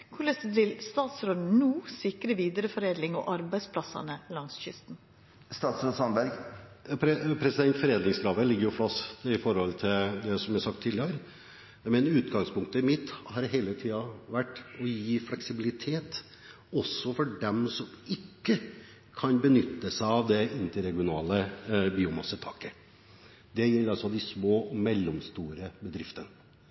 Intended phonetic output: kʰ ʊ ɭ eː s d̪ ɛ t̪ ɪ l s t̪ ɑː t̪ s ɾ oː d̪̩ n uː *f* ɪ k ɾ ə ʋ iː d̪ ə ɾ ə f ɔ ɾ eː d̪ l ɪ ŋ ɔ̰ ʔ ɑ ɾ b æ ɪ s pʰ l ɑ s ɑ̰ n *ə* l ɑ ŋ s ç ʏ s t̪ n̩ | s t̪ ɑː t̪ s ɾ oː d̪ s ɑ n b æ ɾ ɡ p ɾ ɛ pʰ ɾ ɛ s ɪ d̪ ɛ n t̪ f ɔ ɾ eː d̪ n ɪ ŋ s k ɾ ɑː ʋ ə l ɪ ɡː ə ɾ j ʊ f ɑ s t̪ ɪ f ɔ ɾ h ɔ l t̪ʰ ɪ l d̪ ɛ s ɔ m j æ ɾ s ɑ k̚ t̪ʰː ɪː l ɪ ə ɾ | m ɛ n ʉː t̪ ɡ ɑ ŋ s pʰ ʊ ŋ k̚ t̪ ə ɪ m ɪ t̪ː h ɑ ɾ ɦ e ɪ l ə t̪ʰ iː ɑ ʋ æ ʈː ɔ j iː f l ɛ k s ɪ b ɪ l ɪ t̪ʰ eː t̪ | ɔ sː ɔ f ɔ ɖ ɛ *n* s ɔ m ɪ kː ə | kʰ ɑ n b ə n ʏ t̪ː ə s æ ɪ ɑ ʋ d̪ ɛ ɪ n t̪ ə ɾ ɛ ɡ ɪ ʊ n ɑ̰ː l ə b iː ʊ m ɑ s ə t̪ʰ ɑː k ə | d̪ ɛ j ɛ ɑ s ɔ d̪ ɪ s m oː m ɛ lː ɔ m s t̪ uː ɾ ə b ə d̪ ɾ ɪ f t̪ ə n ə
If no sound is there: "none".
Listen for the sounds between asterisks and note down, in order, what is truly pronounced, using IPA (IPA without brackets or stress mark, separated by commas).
s, ə, m